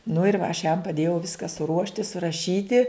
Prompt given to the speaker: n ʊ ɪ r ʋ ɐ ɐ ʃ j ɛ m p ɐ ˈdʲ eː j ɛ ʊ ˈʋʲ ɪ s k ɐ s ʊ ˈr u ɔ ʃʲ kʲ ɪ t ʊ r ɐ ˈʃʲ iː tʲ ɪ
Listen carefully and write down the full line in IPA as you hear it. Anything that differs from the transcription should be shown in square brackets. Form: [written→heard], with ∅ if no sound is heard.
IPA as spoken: n ʊ ɪ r ʋ ɐ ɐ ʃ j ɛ m p ɐ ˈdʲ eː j ɛ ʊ ˈʋʲ ɪ s k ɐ s ʊ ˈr u ɔ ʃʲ [kʲ→tʲ] ɪ [t→s] ʊ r ɐ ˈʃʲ iː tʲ ɪ